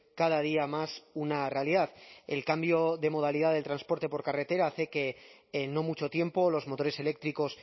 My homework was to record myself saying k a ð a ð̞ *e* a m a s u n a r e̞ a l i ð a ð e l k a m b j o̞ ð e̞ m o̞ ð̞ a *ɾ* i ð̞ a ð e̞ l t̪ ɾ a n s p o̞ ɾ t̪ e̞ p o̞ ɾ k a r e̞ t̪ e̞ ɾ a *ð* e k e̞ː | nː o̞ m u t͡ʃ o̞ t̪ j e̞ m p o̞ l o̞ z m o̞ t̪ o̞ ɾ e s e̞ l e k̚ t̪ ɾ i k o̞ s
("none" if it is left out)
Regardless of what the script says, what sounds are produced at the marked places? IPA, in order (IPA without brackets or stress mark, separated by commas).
i, l, θ